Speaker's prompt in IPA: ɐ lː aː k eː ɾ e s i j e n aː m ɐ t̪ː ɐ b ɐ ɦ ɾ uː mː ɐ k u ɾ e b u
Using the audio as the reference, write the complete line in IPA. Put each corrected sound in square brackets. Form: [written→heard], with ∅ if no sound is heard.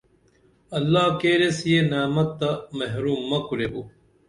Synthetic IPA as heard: ɐ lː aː k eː ɾ e s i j e n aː m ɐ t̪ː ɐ [b→m] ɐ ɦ ɾ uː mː ɐ k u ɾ e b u